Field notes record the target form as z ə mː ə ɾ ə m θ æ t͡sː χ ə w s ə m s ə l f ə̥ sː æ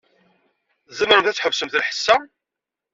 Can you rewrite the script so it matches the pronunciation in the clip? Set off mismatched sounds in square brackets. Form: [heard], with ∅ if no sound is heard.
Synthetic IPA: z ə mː ə ɾ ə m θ æ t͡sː [ħ] ə [v] s ə m [θ] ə l [ħ] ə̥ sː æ